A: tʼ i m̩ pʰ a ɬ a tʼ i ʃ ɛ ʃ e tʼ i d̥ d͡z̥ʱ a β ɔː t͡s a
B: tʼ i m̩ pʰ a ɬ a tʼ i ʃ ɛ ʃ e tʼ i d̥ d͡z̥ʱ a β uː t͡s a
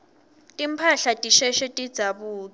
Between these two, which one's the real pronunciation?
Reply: B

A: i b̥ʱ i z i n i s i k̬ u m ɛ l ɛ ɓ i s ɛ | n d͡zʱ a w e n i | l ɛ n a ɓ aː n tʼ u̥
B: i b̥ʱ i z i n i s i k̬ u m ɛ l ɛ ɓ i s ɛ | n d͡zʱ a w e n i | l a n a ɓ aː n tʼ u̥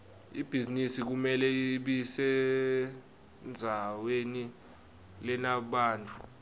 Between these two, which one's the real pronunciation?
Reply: A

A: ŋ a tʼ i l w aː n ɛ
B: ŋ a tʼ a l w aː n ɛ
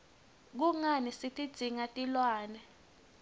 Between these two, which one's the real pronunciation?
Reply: A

